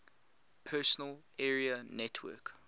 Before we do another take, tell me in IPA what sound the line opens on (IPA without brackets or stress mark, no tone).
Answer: pʰ